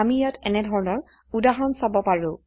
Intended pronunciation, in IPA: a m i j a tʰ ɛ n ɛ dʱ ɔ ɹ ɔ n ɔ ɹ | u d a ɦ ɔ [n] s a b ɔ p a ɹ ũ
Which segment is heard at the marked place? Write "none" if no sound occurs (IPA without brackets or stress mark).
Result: n